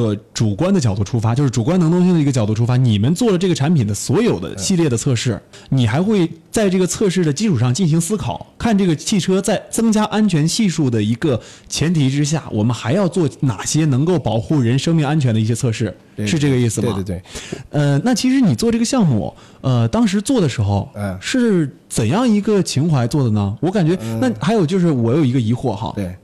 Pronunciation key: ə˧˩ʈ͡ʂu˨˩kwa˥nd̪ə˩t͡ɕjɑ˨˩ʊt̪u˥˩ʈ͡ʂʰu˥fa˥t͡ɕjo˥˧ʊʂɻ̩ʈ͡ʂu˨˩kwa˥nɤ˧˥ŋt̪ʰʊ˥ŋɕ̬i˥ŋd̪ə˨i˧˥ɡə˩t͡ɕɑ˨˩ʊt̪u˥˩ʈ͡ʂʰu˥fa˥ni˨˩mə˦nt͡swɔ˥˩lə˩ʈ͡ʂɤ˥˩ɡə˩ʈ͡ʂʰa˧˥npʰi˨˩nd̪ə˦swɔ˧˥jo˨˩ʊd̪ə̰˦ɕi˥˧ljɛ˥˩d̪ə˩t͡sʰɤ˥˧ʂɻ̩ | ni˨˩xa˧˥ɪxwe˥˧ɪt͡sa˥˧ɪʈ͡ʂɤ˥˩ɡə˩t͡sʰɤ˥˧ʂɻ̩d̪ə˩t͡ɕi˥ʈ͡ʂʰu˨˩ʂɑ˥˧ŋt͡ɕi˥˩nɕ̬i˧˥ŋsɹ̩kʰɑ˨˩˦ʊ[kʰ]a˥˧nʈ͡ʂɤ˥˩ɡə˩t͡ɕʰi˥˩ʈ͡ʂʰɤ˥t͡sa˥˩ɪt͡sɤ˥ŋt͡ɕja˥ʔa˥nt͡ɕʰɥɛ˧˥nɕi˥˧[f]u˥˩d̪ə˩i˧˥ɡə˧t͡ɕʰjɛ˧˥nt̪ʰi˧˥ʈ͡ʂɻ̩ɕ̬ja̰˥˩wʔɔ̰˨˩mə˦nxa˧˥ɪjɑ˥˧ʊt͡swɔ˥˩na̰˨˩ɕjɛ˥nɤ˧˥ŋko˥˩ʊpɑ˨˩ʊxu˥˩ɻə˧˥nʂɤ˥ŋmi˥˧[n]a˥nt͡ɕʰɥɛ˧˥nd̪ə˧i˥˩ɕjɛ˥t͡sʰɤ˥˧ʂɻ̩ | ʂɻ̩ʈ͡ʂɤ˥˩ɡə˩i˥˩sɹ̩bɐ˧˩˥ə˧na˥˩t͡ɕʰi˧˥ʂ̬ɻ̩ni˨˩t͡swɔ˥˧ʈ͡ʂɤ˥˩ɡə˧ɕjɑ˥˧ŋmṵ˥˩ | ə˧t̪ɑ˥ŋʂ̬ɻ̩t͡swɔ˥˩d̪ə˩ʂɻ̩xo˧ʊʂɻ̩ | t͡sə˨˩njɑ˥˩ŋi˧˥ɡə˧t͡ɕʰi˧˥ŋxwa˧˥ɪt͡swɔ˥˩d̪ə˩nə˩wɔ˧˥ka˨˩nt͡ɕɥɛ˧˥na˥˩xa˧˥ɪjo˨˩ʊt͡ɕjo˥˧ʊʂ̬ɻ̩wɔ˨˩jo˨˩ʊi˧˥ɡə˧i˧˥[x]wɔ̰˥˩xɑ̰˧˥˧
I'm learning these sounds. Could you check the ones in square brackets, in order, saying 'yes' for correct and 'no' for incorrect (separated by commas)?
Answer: yes, no, no, yes